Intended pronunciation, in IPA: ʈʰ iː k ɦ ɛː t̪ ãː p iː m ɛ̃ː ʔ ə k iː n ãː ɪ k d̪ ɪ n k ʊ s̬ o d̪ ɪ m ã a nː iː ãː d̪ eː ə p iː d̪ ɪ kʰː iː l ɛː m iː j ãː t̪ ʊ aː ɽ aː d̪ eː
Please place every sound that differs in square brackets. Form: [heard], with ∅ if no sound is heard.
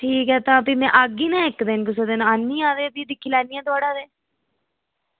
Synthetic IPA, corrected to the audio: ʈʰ iː k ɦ ɛː t̪ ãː p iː m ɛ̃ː ʔ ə [ɡ] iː n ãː ɪ k d̪ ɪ n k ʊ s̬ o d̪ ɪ [n] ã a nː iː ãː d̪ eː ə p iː d̪ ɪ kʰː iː l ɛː [n] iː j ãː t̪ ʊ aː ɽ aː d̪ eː